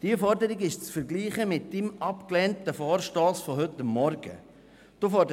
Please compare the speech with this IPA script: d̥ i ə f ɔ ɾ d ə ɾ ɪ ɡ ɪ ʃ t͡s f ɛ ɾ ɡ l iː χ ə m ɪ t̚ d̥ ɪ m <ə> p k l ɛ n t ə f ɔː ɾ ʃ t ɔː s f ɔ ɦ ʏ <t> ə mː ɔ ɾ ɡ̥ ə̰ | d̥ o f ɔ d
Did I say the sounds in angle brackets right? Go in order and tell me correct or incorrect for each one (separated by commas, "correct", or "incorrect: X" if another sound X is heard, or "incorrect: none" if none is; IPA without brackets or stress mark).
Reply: incorrect: ɑ, correct